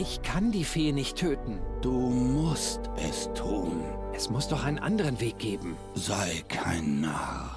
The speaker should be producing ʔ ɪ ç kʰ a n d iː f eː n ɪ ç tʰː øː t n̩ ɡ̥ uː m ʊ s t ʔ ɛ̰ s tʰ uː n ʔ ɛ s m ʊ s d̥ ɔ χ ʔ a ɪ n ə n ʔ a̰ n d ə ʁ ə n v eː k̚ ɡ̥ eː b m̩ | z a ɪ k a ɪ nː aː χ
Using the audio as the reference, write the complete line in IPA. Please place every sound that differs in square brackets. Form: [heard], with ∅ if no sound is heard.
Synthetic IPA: ʔ ɪ ç kʰ a n d iː f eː n ɪ ç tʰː øː t n̩ [d̥] uː m ʊ s t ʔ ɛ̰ s tʰ uː n ʔ ɛ s m ʊ s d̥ ɔ χ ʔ a ɪ n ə n ʔ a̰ n d ə ʁ ə n v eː k̚ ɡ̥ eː b m̩ | z a ɪ [kʰ] a ɪ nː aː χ